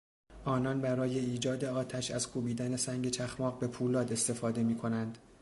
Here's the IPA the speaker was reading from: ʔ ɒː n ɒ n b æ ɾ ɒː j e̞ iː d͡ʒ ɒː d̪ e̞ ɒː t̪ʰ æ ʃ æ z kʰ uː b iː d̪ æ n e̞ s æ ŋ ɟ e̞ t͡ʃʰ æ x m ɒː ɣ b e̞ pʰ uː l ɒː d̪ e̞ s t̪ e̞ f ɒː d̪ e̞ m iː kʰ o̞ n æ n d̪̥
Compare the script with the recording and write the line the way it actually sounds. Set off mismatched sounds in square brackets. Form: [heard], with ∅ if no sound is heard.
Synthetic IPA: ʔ ɒː n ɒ n b æ ɾ ɒː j e̞ iː d͡ʒ ɒː d̪ e̞ ɒː t̪ʰ æ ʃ æ z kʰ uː b iː d̪ æ n e̞ s æ ŋ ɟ e̞ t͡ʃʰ æ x m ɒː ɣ b e̞ pʰ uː l ɒː d̪ e̞ s t̪ e̞ f ɒː d̪ e̞ m iː kʰ o̞ n æ n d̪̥